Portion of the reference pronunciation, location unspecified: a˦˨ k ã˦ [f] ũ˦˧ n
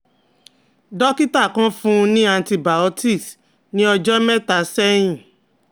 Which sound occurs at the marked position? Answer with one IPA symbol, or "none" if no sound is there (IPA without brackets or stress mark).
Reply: f